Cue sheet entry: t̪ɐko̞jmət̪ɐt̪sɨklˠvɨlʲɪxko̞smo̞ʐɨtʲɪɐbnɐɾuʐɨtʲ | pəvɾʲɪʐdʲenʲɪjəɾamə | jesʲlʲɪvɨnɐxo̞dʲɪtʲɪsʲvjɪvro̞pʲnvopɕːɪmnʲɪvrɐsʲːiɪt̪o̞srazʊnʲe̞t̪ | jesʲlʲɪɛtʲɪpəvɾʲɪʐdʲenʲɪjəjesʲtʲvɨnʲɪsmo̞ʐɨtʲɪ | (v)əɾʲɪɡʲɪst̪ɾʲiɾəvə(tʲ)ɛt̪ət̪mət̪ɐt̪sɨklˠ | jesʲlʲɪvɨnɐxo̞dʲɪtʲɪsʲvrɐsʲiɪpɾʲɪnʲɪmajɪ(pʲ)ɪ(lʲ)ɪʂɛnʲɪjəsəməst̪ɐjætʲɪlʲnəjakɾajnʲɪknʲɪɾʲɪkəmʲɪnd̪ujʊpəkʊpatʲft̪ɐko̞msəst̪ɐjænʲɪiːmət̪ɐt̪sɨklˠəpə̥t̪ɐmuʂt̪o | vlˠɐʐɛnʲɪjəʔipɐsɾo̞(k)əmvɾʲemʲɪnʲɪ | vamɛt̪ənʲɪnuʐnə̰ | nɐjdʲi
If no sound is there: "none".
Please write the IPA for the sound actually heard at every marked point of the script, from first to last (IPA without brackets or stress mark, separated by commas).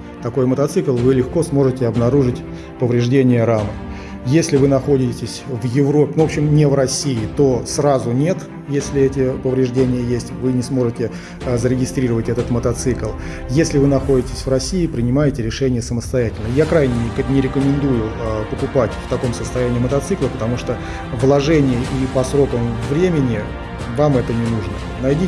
z, tʲ, tʲ, ɾʲ, k